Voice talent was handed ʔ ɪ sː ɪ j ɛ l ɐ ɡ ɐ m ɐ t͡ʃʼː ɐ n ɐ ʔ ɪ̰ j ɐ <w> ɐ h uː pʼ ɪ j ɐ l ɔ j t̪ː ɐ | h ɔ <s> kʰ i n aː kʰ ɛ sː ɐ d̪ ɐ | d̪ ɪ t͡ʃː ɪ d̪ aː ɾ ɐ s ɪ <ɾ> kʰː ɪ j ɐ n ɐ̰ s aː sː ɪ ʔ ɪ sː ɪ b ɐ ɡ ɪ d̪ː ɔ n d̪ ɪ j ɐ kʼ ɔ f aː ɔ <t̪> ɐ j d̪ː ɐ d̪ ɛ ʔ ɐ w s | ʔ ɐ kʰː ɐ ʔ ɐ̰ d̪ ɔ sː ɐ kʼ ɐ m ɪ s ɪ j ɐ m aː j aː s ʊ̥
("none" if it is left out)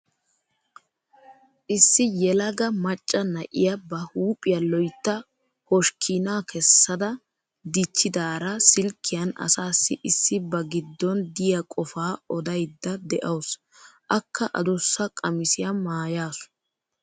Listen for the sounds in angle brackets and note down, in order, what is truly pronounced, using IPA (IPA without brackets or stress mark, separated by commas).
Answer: b, ʃ, l, d̪